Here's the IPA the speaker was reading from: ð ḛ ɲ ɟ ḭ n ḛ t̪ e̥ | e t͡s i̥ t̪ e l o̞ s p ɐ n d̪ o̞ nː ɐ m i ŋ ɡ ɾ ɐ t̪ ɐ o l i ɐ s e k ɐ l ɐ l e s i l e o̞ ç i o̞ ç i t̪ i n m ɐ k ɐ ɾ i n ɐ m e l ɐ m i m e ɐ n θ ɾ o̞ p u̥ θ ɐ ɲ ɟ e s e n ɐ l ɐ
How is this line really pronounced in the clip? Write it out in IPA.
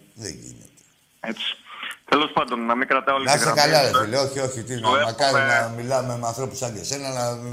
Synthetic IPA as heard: ð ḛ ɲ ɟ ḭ n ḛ t̪ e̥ | e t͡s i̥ t̪ e l o̞ s p ɐ n d̪ o̞ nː ɐ m i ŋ ɡ ɾ ɐ t̪ ɐ o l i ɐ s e k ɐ l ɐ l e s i l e o̞ ç i o̞ ç i t̪ i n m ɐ k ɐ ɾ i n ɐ m i l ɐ m e m e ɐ n θ ɾ o̞ p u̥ s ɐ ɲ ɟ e s e n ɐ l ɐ